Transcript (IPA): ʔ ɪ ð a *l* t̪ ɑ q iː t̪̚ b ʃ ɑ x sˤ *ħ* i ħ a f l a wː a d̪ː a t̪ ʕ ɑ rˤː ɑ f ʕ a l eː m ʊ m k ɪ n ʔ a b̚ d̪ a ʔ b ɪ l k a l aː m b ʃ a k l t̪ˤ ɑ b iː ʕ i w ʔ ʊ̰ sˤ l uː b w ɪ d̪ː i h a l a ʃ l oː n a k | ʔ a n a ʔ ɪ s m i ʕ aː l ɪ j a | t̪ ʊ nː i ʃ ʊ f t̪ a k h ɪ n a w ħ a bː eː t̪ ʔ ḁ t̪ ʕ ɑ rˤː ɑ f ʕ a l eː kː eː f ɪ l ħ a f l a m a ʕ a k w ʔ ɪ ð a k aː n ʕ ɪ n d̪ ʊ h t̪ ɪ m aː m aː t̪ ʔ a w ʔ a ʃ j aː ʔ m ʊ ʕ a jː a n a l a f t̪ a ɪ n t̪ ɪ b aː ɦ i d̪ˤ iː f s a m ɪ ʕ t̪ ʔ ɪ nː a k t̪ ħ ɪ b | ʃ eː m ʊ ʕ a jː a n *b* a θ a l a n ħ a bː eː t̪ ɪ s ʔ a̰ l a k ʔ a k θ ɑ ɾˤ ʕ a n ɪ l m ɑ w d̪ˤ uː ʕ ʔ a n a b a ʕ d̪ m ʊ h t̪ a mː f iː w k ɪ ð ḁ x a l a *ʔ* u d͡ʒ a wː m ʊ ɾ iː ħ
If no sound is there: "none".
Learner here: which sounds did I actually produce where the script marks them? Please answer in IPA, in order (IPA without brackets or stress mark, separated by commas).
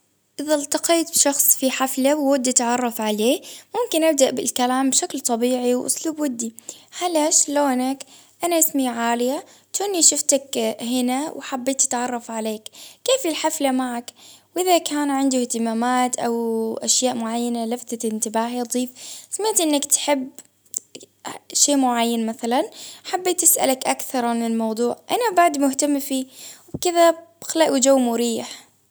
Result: l, f, m, ʔ